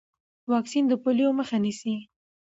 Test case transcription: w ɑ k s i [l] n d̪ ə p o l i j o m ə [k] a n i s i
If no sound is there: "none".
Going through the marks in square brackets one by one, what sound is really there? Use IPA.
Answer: none, x

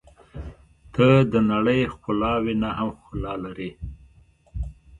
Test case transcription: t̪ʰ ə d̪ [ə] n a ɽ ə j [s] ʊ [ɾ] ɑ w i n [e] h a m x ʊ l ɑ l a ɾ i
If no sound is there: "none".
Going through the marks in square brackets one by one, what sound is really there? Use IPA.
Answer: ə, x, l, a

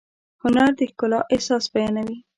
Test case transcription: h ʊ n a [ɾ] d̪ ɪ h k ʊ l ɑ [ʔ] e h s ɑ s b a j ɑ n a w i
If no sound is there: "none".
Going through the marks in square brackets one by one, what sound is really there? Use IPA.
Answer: ɾ, ʔ

